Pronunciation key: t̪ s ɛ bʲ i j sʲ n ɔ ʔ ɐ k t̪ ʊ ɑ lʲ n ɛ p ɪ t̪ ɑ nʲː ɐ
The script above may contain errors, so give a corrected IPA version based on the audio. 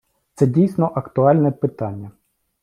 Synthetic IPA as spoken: t̪ s ɛ dʲ i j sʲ n ɔ ʔ ɐ k t̪ ʊ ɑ lʲ n ɛ p ɪ t̪ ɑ nʲː ɐ